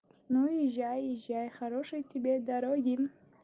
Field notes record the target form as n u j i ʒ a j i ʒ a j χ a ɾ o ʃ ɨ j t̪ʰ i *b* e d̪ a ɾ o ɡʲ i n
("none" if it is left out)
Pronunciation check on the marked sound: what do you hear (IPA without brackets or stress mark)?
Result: b